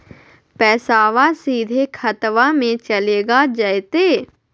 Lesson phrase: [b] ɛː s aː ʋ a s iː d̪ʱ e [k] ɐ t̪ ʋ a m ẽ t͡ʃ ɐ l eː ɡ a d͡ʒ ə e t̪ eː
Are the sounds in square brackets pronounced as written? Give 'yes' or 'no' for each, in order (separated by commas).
no, no